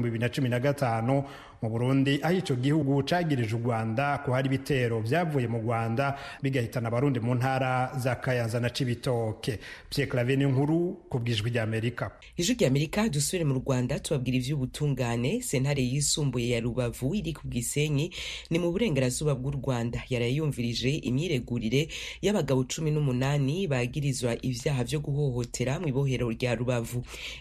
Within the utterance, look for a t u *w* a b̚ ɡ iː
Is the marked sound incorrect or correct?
incorrect